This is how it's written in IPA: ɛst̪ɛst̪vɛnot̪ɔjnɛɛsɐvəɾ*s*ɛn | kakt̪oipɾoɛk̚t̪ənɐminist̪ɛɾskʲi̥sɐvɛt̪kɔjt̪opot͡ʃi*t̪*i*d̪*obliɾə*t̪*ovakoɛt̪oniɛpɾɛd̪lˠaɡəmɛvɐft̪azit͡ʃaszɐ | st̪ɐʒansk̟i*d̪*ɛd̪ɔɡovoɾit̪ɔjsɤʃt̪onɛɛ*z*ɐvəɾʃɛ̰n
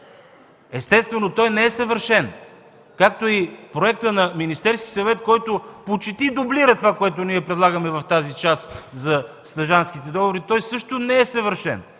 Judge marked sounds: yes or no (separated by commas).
no, yes, yes, yes, no, no